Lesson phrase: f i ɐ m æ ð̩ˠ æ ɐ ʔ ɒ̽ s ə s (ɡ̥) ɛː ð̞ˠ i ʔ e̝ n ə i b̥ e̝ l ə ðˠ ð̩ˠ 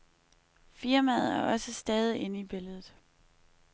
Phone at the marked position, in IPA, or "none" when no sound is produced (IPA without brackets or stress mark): d̥